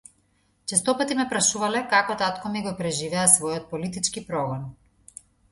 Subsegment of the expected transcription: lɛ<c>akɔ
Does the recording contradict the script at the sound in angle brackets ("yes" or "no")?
yes